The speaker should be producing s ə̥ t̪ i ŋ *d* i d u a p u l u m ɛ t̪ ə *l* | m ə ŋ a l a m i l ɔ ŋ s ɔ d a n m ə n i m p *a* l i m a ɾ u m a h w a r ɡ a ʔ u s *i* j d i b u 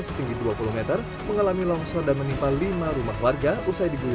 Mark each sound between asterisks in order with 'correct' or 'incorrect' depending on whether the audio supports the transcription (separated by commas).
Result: incorrect, incorrect, correct, incorrect